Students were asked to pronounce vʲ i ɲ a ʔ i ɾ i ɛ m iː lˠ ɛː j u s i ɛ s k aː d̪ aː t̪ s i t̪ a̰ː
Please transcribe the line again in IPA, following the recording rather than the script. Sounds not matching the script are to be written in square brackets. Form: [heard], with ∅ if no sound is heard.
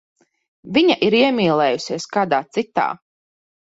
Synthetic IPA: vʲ i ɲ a ʔ i ɾ i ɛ m iː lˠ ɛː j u s i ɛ s k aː d̪ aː t̪ s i t̪ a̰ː